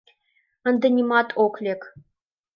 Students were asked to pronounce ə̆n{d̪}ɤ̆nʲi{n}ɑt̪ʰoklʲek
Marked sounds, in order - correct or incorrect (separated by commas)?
correct, incorrect